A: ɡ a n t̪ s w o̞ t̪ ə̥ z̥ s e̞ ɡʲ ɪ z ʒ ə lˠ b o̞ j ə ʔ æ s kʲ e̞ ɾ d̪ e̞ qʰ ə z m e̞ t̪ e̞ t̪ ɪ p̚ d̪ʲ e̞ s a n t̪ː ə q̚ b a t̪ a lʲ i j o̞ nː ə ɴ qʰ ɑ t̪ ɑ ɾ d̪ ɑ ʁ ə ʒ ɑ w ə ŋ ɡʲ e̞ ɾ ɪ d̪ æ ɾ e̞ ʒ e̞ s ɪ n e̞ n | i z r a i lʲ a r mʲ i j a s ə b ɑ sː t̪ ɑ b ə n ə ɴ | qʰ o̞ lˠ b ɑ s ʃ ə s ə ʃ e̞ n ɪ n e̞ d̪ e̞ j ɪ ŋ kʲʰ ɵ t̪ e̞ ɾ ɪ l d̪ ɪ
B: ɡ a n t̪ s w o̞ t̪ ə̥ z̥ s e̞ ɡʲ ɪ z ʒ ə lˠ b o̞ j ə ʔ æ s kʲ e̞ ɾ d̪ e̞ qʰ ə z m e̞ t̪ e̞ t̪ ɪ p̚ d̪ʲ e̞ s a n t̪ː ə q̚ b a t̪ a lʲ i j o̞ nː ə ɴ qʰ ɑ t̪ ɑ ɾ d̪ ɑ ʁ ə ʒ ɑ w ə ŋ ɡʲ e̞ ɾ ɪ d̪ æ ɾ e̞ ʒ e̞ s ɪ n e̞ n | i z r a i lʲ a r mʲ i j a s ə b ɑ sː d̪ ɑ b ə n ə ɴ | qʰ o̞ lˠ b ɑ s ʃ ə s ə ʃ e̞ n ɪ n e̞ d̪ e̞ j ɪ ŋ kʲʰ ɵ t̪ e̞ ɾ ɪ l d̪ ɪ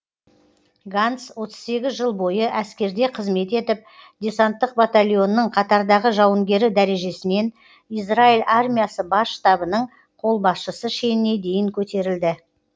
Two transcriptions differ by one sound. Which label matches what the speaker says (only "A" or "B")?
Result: A